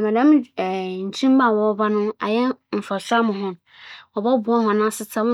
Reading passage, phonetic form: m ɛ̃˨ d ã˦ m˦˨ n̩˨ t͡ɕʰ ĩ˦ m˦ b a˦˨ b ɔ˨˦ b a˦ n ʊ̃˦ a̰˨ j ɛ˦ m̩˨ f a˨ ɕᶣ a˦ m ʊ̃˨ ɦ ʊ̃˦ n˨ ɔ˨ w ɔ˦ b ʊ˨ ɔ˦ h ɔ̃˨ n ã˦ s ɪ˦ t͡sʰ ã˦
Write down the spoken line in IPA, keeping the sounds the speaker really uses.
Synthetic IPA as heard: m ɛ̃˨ d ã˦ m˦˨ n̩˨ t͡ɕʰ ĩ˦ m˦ b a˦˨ w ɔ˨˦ b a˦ n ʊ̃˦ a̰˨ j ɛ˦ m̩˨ f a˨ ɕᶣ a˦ m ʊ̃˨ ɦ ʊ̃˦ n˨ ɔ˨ b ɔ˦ b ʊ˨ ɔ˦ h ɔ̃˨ n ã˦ s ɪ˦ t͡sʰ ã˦